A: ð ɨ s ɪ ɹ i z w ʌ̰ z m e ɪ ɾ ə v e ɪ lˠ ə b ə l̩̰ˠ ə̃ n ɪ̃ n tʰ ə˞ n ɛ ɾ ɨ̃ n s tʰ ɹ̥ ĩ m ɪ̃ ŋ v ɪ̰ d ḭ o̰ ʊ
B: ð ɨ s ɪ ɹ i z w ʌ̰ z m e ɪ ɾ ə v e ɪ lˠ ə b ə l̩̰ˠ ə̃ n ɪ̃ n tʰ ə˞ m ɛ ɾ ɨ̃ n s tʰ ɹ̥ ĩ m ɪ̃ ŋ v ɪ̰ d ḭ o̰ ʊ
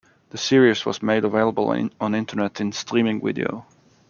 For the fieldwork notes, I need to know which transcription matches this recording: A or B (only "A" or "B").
A